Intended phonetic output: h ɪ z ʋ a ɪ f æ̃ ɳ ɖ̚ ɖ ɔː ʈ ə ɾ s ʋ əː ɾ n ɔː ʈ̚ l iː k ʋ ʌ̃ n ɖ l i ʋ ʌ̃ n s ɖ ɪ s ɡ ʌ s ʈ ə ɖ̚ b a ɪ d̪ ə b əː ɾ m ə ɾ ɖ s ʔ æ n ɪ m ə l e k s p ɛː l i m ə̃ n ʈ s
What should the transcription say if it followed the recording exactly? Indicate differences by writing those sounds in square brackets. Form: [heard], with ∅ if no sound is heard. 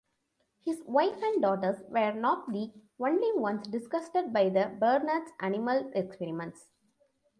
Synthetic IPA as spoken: h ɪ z ʋ a ɪ f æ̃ ɳ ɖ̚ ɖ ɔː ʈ ə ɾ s ʋ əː ɾ n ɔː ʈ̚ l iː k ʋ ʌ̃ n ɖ l i ʋ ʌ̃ n s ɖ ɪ s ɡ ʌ s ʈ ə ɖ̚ b a ɪ d̪ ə b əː ɾ [n] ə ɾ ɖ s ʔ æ n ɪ m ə l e k s p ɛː [ɾ] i m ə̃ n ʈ s